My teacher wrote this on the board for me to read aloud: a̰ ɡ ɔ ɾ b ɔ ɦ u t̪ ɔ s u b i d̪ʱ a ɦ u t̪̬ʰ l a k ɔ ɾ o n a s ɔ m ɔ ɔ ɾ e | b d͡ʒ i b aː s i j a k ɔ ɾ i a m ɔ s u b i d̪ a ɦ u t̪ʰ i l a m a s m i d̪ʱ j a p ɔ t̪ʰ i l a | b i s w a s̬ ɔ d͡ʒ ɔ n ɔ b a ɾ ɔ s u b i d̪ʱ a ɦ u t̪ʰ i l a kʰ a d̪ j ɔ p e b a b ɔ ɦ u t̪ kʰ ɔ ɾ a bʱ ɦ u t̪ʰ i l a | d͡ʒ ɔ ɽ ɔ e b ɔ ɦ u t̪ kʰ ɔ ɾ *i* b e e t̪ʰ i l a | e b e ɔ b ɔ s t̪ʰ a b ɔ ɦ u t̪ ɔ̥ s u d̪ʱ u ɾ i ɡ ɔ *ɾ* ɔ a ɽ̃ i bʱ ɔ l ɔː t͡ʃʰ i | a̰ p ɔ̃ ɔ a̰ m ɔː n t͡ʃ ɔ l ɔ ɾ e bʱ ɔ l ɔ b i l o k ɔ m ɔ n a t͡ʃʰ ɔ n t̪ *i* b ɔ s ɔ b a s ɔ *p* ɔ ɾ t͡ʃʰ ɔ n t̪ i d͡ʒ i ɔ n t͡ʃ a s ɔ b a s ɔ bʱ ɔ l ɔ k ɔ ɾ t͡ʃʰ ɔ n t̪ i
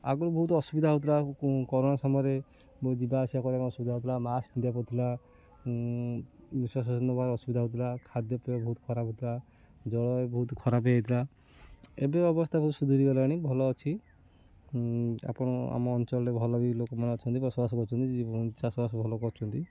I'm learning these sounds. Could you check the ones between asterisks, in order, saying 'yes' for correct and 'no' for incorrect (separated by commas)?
no, no, yes, no